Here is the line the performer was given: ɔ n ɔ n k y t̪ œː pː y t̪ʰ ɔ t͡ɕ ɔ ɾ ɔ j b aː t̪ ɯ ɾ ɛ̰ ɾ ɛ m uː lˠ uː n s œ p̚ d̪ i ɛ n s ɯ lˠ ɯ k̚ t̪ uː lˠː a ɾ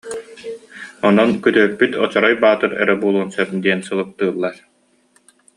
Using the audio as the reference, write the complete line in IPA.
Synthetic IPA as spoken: ɔ n ɔ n k y t̪ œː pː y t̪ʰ ɔ t͡ɕ ɔ ɾ ɔ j b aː t̪ ɯ ɾ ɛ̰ ɾ ɛ b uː lˠ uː n s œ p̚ d̪ i ɛ n s ɯ lˠ ɯ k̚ t̪ ɯː lˠː a ɾ